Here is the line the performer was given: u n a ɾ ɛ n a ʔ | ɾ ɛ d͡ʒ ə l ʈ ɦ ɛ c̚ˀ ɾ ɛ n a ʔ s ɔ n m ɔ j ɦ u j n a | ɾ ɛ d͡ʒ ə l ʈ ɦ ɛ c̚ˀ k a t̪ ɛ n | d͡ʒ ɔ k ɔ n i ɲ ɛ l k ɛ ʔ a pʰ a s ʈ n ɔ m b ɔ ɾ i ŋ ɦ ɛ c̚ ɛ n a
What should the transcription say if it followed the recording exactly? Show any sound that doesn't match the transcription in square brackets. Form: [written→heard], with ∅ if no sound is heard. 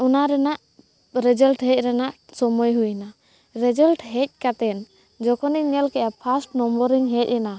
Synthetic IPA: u n a ɾ ɛ n a ʔ | ɾ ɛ d͡ʒ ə l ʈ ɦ ɛ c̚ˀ ɾ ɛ n a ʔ s ɔ [n→∅] m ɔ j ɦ u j n a | ɾ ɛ d͡ʒ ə l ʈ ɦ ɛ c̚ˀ k a t̪ ɛ n | d͡ʒ ɔ k ɔ n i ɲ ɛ l k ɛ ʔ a pʰ a s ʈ n ɔ m b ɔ ɾ i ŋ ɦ ɛ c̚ ɛ n a